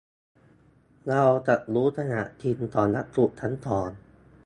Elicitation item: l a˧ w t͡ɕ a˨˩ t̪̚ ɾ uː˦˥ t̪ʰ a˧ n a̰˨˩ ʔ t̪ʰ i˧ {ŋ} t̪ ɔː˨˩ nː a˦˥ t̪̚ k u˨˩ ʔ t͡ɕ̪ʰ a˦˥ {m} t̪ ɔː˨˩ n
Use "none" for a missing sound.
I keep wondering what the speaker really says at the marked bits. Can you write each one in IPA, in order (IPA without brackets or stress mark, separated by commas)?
n, n